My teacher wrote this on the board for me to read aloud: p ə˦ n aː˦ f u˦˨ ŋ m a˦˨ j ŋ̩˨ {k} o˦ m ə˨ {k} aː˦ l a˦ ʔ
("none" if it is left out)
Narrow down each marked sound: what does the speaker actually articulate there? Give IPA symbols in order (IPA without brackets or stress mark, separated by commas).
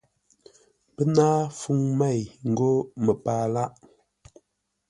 ɡ, p